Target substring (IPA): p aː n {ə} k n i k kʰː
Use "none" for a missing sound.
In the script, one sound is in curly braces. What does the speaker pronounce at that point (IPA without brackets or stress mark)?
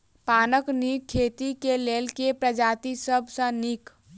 ə